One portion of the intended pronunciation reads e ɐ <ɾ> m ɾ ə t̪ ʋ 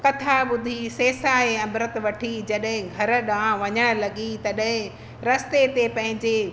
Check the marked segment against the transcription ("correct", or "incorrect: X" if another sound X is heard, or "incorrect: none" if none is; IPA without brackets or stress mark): incorrect: none